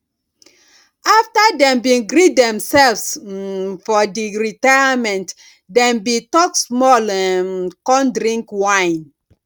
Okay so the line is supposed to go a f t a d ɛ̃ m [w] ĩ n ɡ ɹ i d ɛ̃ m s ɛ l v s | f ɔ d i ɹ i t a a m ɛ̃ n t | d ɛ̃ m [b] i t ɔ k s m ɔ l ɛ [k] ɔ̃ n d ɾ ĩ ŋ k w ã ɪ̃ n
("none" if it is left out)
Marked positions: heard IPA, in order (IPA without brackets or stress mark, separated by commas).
b, b, k